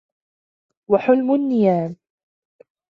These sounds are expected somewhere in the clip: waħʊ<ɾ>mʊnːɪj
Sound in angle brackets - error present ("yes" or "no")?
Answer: yes